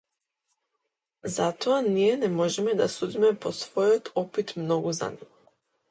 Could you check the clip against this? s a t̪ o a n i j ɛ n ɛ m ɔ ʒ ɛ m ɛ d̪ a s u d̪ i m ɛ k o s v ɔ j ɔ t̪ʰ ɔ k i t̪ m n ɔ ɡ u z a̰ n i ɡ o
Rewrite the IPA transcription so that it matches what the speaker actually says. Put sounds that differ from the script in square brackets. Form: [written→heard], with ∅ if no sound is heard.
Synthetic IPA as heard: [s→z] a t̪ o a n i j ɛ n ɛ m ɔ ʒ ɛ m ɛ d̪ a s u d̪ i m ɛ [k→p] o s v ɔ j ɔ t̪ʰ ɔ [k→p] i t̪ m n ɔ ɡ u z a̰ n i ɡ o